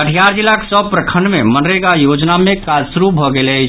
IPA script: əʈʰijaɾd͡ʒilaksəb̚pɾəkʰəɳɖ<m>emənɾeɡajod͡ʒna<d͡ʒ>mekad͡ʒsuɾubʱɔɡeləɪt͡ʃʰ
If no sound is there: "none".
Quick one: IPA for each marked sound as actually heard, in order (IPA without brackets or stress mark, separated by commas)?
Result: m, none